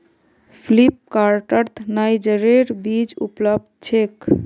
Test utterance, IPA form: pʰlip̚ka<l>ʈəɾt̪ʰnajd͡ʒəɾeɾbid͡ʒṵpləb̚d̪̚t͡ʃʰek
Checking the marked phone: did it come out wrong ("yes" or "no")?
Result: yes